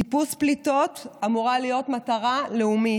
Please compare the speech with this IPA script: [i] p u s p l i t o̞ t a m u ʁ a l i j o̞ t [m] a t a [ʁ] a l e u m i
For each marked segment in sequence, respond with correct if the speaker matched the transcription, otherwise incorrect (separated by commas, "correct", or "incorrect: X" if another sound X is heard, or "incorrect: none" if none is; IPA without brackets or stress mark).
correct, correct, correct